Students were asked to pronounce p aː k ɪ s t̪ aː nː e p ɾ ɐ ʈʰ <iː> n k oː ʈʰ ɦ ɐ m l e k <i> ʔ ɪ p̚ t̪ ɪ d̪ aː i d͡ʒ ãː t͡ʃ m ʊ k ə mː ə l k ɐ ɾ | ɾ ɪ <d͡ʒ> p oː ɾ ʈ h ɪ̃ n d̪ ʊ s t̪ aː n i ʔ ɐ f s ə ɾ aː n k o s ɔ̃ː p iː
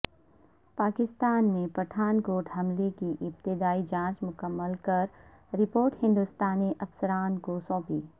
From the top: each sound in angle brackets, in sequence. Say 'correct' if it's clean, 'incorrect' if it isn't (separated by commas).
incorrect, correct, incorrect